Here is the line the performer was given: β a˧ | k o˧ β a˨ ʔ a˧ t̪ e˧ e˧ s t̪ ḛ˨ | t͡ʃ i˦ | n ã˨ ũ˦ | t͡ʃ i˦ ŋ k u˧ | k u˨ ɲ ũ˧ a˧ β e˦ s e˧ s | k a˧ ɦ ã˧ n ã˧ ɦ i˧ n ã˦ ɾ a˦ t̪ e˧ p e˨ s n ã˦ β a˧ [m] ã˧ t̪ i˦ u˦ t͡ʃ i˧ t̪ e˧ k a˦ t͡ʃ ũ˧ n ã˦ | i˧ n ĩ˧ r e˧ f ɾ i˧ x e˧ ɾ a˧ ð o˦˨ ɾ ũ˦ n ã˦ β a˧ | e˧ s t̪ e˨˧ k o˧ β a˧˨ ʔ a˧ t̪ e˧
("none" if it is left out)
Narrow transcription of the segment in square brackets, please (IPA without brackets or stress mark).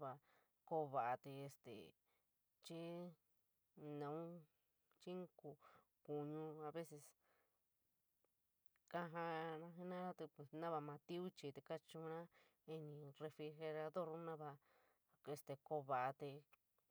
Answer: m